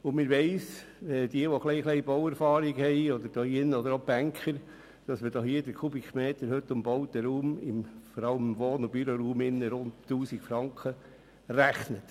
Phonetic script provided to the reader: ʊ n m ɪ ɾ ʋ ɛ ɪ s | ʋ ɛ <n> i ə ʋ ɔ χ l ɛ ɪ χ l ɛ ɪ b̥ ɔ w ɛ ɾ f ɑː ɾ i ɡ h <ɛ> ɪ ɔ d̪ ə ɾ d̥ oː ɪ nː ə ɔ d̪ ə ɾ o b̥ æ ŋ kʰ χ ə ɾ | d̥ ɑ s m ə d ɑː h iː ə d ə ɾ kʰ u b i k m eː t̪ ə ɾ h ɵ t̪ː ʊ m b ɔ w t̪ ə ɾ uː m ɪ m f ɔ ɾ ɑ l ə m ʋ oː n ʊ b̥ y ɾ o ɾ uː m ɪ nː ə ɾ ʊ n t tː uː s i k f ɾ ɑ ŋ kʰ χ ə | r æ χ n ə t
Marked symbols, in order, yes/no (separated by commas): no, yes